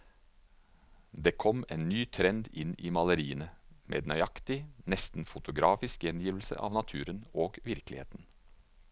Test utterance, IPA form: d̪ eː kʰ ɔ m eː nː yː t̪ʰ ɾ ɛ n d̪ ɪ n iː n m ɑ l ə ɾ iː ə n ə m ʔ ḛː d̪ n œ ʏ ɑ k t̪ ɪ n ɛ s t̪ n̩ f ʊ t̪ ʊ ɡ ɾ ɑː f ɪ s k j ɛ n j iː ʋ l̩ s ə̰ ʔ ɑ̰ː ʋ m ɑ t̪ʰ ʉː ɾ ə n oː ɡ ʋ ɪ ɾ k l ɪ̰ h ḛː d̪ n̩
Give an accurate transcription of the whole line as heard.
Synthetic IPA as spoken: d̪ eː kʰ ɔ m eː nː yː t̪ʰ ɾ ɛ n d̪ ɪ n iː m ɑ l ə ɾ iː ə n ə m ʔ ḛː d̪ n œ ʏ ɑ k t̪ ɪ n ɛ s t̪ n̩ f ʊ t̪ ʊ ɡ ɾ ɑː f ɪ s k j ɛ n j iː ʋ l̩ s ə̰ ʔ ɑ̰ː ʋ n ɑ t̪ʰ ʉː ɾ ə n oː ɡ ʋ ɪ ɾ k l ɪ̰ h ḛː t̪ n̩